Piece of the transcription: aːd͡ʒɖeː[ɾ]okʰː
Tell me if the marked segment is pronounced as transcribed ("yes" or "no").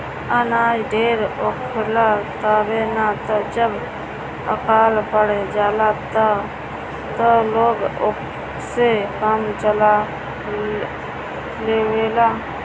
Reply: yes